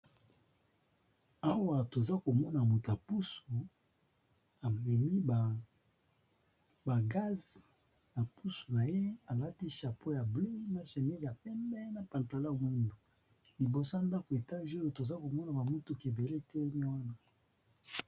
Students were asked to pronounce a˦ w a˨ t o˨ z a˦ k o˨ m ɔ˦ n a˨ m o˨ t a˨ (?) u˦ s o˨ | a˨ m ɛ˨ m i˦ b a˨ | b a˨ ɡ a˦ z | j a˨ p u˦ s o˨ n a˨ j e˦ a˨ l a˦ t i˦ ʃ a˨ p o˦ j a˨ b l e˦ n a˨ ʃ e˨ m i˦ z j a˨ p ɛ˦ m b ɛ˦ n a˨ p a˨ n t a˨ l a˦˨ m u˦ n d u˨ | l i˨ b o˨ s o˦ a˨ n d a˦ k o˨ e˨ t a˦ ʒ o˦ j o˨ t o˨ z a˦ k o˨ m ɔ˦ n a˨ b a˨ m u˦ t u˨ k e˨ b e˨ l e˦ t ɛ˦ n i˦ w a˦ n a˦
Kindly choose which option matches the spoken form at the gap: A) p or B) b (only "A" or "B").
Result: A